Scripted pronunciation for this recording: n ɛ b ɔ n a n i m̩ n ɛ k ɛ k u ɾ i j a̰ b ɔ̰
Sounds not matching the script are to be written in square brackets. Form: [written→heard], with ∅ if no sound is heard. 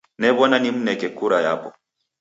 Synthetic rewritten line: n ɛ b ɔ n a n i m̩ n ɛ k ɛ k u ɾ [i→a] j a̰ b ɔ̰